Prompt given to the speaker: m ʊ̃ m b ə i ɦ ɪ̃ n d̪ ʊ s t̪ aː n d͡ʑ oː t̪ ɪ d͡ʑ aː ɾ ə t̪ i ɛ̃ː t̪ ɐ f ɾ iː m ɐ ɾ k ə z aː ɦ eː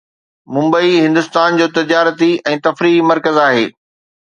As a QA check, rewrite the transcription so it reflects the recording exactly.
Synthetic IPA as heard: m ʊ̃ m b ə i ɦ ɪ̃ n d̪ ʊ s t̪ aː n d͡ʑ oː t̪ ɪ d͡ʑ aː ɾ ə t̪ i ɛ̃ː t̪ ɐ f ɾ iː m ɐ ɾ k ə z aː ɦ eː